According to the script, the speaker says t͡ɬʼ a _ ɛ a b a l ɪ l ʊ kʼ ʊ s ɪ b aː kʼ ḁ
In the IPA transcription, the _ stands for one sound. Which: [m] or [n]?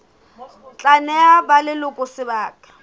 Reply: n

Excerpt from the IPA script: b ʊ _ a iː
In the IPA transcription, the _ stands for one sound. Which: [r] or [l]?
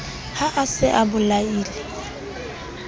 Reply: l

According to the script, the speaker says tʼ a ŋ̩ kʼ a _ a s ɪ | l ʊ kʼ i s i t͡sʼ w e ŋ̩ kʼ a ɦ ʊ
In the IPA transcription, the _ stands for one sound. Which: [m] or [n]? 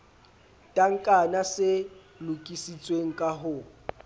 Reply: n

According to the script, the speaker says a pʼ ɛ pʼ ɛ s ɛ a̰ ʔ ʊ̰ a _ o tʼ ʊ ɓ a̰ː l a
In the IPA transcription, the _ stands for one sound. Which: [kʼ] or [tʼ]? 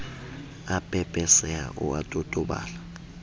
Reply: tʼ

